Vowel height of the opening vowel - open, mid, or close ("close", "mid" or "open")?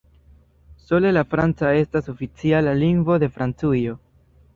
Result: mid